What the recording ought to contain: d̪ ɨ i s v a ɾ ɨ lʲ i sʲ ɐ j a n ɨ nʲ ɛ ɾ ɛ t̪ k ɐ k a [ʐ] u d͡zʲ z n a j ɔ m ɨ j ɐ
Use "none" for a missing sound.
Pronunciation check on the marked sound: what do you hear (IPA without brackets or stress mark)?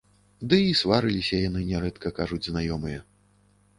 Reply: ʐ